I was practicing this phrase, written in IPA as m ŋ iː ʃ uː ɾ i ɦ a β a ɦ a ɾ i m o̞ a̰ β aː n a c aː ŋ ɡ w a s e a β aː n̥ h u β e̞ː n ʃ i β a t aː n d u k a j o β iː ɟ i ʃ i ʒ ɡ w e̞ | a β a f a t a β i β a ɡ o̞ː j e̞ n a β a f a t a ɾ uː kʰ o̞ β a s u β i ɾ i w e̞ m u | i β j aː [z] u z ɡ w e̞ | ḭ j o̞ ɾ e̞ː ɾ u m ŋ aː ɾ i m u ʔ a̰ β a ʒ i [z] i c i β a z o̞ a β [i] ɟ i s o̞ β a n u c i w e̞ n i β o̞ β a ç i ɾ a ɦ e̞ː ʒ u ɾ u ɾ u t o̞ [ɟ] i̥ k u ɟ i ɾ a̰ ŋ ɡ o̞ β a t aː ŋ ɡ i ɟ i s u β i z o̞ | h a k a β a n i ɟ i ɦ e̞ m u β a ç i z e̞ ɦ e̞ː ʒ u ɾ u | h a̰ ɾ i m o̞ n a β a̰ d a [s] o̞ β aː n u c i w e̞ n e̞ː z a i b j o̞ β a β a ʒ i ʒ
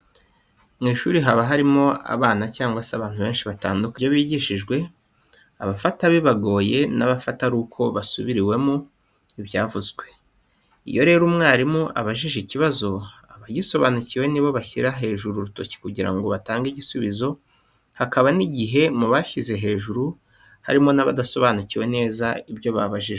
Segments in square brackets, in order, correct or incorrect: incorrect: v, incorrect: ʒ, incorrect: a, incorrect: c, correct

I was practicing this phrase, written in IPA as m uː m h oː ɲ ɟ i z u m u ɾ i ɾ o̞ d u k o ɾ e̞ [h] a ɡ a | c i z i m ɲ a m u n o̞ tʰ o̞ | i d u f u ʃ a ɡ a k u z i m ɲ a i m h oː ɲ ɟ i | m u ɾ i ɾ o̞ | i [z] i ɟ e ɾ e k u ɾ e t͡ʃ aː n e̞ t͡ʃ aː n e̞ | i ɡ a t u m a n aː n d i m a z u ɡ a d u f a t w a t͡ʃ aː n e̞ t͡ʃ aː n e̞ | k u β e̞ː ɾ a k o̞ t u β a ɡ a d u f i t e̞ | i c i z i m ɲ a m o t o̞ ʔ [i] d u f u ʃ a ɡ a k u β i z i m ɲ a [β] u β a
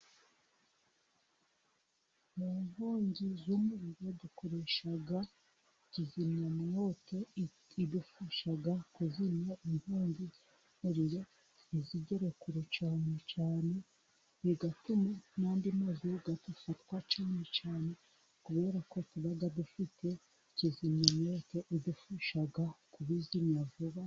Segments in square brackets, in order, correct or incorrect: incorrect: ʃ, correct, correct, incorrect: v

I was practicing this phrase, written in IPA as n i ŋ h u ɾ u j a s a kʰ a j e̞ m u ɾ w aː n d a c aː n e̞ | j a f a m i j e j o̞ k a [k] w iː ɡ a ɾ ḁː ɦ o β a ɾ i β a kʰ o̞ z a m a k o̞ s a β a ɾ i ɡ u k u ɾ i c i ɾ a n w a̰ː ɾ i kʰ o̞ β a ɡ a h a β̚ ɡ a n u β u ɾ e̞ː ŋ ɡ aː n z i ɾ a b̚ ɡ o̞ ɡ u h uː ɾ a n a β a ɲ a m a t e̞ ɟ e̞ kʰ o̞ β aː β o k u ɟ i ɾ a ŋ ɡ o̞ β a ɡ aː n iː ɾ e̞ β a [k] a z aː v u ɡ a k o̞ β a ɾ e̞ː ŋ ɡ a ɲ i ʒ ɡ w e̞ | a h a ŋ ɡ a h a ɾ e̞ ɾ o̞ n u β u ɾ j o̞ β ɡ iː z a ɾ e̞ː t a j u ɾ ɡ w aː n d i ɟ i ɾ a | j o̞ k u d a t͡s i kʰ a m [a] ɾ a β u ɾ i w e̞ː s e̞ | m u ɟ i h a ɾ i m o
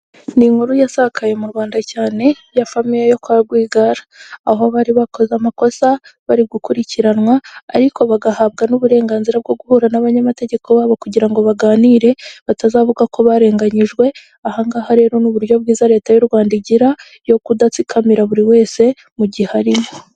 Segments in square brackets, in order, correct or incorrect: incorrect: ɡ, incorrect: t, incorrect: i

